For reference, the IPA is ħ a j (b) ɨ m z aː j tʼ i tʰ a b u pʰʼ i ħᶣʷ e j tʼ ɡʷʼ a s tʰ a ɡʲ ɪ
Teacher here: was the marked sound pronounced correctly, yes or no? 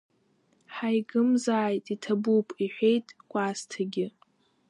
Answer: no